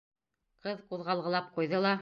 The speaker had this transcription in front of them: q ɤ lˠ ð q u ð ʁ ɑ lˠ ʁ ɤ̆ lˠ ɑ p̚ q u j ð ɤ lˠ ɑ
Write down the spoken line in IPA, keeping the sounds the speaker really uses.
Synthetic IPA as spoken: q ɤ ð q u ð ʁ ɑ lˠ ʁ ɤ̆ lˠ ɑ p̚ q u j ð ɤ lˠ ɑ